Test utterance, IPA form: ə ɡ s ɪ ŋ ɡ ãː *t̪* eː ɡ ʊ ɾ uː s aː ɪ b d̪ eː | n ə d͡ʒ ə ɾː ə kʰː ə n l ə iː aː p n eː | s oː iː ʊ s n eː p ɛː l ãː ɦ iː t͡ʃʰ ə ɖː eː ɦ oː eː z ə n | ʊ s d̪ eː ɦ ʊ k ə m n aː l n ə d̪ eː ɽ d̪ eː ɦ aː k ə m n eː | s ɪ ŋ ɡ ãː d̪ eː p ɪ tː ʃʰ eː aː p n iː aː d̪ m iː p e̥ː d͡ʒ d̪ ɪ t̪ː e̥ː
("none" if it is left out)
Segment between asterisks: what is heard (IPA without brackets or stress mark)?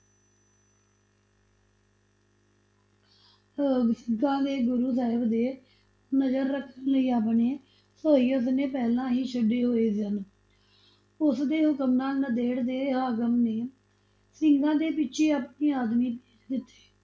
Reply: d̪